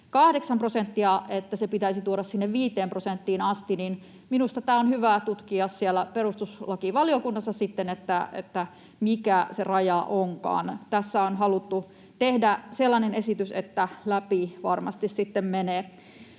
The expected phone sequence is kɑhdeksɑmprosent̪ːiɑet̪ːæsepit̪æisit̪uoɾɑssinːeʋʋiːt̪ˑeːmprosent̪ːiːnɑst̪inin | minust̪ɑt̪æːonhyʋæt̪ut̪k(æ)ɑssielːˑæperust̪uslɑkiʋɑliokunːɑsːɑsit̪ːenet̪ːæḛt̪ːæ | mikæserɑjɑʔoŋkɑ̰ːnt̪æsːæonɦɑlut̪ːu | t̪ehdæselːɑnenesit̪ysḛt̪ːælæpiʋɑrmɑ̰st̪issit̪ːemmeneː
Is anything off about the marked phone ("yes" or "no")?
yes